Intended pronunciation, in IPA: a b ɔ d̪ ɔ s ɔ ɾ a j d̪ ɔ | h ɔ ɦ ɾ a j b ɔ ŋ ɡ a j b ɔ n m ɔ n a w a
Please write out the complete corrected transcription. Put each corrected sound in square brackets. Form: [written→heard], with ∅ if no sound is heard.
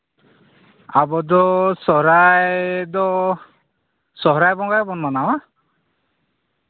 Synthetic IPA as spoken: a b ɔ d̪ ɔ s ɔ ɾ a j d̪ ɔ | [h→s] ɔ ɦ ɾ a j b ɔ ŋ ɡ a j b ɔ n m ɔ n a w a